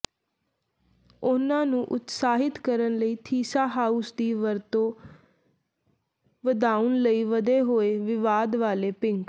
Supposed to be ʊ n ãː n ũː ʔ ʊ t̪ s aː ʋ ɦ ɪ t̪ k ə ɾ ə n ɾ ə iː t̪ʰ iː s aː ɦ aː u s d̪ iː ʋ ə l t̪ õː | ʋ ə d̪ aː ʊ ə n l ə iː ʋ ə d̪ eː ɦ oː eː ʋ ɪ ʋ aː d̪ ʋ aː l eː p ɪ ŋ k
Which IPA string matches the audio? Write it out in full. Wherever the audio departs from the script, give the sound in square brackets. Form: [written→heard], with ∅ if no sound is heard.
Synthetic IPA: ʊ n ãː n ũː ʔ ʊ t̪ s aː [ʋ→∅] ɦ ɪ t̪ k ə ɾ ə n [ɾ→l] ə iː t̪ʰ iː s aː ɦ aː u s d̪ iː ʋ ə [l→ɾ] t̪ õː | ʋ ə d̪ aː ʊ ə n l ə iː ʋ ə d̪ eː ɦ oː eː ʋ ɪ ʋ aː d̪ ʋ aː l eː p ɪ ŋ k